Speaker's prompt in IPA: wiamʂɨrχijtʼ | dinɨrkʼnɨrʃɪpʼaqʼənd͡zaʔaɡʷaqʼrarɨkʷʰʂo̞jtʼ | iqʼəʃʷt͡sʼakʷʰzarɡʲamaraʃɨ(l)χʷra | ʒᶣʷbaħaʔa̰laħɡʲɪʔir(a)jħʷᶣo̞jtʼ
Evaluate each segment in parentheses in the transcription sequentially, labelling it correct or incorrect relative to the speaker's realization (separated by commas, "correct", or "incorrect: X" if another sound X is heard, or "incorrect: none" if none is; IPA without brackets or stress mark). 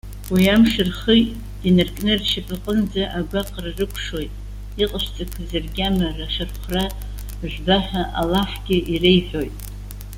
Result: incorrect: r, incorrect: e